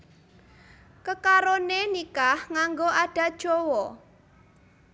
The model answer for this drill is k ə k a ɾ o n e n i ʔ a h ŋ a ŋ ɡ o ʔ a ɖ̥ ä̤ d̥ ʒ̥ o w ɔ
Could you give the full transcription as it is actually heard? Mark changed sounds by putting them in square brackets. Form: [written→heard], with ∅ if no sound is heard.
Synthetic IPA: k ə k a ɾ o n e n i [ʔ→k] a h ŋ a ŋ ɡ o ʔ a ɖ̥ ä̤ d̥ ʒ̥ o w ɔ